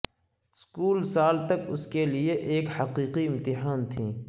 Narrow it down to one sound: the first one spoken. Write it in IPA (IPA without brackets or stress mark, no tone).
s